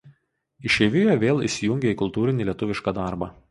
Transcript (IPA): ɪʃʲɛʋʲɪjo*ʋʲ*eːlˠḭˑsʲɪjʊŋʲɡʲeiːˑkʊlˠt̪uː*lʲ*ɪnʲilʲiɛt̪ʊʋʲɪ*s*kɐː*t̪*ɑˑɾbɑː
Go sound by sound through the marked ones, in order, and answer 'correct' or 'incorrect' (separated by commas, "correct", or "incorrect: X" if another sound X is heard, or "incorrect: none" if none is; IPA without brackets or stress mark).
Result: correct, incorrect: ɾʲ, incorrect: ʃ, incorrect: d̪